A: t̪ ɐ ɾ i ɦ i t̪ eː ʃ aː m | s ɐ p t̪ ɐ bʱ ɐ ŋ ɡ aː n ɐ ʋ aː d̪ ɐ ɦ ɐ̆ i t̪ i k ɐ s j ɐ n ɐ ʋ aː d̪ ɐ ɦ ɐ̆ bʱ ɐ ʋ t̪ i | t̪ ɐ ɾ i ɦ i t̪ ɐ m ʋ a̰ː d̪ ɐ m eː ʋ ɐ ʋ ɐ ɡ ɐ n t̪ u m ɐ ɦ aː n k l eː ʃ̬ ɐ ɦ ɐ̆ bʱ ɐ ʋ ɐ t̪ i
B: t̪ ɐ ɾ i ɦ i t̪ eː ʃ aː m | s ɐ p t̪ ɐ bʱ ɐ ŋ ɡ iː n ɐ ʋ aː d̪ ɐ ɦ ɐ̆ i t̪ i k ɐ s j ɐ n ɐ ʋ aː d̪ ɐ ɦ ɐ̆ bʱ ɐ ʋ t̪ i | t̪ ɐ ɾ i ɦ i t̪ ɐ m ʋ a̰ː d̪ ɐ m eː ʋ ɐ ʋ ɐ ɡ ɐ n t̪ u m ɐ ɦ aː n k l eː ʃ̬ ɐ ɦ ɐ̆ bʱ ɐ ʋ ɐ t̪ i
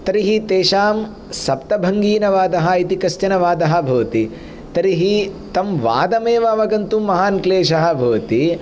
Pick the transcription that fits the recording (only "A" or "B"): B